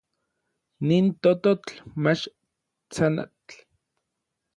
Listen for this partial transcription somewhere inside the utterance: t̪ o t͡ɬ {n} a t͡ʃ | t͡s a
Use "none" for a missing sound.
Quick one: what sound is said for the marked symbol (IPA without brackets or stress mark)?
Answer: m